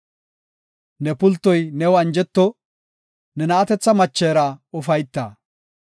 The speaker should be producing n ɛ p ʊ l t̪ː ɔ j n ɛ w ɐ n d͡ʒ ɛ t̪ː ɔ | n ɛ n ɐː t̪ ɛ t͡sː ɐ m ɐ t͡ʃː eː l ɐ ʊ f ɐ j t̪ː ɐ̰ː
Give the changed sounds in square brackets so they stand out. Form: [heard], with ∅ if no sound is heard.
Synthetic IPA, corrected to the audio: n ɛ p ʊ l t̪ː ɔ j n ɛ w ɐ n d͡ʒ ɛ t̪ː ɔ | n ɛ n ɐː t̪ ɛ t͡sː ɐ m ɐ t͡ʃː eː [ɾ] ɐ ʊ f ɐ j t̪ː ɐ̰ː